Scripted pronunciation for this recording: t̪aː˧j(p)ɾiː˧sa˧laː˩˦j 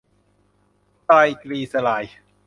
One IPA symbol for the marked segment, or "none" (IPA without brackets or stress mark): k